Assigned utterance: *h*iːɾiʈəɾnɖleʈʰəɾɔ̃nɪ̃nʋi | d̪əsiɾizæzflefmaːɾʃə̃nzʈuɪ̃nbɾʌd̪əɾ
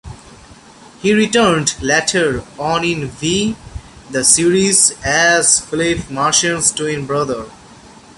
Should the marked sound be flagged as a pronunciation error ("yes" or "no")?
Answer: no